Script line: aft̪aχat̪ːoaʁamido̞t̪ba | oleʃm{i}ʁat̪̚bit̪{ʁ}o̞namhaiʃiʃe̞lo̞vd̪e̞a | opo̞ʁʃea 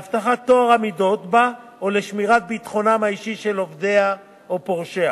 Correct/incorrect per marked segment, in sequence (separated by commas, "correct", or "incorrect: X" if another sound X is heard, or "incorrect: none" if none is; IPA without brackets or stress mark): correct, incorrect: χ